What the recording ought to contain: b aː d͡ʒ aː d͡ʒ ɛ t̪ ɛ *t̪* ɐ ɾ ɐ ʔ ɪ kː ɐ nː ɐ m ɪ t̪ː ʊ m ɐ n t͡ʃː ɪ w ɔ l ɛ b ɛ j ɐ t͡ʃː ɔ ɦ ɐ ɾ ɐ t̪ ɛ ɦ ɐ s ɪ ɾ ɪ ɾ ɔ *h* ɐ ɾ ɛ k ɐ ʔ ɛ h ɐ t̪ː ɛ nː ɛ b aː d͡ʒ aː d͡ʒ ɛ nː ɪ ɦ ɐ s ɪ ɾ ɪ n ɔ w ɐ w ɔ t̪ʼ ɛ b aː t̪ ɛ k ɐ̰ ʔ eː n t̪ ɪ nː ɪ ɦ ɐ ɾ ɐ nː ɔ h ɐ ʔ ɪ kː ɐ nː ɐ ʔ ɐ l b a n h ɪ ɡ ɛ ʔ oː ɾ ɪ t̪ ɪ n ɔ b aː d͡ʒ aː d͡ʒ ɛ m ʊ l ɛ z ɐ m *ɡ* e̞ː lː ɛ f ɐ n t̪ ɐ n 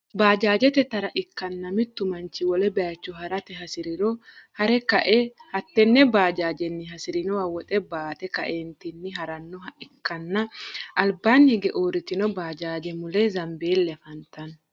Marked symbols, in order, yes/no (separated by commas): yes, yes, no